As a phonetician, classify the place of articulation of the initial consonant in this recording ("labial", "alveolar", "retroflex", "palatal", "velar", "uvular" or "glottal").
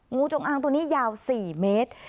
velar